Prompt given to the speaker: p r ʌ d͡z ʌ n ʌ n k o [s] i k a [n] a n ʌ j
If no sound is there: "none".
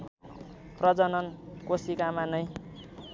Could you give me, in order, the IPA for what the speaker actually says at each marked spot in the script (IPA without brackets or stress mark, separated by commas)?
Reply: s, m